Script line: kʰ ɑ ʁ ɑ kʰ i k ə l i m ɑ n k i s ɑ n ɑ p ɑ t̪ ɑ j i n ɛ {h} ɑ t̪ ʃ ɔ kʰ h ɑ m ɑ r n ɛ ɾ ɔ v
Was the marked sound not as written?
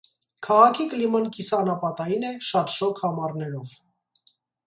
yes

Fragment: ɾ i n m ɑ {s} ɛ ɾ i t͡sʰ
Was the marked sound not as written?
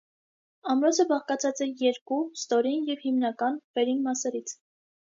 no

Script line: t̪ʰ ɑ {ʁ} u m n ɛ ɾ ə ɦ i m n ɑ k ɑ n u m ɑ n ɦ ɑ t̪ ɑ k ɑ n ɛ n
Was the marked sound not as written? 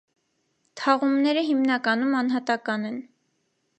no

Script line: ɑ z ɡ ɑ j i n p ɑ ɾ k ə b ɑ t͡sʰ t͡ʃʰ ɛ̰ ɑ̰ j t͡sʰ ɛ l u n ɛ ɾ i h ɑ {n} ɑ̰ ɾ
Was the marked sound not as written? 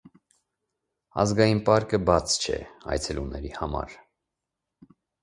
yes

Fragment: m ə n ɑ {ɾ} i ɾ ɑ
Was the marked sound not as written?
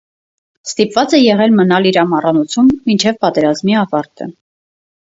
yes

